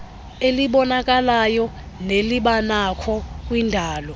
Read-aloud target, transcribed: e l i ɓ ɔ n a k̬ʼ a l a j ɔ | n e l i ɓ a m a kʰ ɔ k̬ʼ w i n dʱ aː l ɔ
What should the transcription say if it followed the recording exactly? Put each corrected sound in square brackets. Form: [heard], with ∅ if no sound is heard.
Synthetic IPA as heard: e l i ɓ ɔ n a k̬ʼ a l a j ɔ | n e l i ɓ a [n] a kʰ ɔ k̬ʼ w i n dʱ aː l ɔ